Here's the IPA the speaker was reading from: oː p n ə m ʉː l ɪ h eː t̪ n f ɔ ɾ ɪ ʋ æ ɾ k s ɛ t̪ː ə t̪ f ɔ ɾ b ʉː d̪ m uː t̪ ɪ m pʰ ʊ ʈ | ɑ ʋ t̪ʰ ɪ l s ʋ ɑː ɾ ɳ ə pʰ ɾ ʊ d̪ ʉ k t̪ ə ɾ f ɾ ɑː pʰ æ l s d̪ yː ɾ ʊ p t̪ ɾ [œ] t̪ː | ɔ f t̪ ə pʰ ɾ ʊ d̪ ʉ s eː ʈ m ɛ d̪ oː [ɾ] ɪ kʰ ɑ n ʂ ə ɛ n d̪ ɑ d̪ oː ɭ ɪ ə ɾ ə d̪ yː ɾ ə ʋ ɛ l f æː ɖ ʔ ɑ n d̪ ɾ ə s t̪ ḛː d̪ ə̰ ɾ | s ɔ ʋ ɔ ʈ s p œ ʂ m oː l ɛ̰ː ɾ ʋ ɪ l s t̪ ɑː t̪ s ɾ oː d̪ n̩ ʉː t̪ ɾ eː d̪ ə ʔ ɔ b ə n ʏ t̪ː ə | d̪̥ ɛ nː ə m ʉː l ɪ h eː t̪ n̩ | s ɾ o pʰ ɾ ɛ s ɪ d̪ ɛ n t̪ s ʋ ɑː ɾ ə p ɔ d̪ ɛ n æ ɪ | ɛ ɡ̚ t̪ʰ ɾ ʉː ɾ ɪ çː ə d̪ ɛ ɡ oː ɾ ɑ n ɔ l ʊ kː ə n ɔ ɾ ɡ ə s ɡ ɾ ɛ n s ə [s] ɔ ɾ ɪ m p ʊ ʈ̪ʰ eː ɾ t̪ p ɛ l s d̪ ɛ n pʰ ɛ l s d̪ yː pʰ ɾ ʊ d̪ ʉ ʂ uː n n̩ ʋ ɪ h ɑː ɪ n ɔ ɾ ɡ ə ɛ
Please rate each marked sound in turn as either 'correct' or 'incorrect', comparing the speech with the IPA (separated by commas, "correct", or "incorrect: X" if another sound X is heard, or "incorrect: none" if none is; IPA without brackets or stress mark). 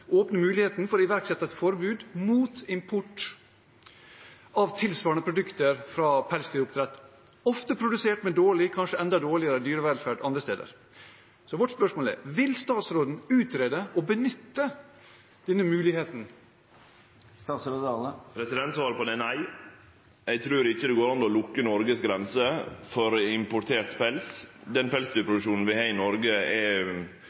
incorrect: ɛ, incorrect: ɭ, incorrect: f